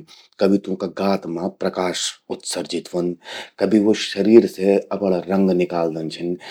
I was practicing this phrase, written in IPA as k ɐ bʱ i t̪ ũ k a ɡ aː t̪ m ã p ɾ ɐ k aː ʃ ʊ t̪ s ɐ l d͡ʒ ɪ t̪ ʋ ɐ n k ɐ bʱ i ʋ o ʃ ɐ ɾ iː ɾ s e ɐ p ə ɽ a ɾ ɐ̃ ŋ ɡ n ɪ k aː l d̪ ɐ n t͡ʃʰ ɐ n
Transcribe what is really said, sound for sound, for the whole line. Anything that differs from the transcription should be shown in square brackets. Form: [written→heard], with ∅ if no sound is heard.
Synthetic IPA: k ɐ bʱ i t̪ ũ k a ɡ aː t̪ m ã p ɾ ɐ k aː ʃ ʊ t̪ s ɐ [l→ɾ] d͡ʒ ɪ t̪ ʋ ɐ n k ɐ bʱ i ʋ o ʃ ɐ ɾ iː ɾ s e ɐ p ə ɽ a ɾ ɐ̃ ŋ ɡ n ɪ k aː l d̪ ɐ n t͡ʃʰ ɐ n